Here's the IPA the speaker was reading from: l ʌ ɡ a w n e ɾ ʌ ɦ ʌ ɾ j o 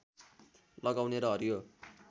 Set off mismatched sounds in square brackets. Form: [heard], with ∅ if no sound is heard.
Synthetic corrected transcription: l ʌ ɡ a w n e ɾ ʌ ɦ ʌ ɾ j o